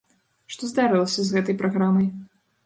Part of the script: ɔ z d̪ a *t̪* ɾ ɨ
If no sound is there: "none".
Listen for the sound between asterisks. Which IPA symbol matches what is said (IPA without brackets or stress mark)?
none